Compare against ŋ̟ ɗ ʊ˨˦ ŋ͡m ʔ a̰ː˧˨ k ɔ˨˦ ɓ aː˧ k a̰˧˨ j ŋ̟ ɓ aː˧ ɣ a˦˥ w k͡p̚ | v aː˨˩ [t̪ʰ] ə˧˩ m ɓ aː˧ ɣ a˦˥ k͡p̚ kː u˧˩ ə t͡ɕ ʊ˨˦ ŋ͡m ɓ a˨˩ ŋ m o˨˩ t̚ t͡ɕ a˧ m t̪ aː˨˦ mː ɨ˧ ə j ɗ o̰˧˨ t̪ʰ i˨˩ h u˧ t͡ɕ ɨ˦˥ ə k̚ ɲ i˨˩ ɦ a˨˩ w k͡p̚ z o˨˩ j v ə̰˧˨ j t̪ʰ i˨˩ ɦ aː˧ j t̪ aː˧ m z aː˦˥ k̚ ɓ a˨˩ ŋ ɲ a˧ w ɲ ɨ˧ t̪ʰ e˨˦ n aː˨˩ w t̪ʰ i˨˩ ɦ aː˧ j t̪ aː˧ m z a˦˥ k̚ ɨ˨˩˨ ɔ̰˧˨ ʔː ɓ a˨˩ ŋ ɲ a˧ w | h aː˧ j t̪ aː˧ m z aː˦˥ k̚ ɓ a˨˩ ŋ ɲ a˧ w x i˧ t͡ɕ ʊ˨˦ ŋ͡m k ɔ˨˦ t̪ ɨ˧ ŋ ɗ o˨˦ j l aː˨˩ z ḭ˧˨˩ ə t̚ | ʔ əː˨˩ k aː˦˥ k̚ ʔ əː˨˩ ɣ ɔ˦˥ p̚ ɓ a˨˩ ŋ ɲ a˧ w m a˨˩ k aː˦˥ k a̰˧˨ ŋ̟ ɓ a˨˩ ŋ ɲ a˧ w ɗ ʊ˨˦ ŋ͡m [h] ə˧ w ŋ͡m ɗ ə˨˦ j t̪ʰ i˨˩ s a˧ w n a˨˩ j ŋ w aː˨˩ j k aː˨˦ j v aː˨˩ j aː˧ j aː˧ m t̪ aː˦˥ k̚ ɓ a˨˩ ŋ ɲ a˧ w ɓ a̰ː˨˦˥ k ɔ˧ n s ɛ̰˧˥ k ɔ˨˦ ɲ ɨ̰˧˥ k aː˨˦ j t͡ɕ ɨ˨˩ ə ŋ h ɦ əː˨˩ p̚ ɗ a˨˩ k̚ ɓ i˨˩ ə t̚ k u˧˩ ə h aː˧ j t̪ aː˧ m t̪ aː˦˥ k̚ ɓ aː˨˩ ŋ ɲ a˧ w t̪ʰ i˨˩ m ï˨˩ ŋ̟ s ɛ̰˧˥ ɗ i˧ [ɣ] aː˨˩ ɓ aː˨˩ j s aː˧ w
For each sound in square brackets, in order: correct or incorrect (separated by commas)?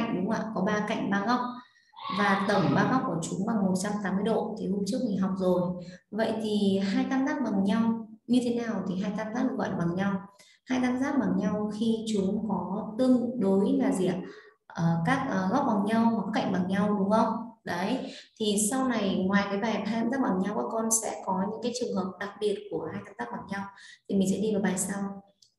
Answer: incorrect, incorrect, incorrect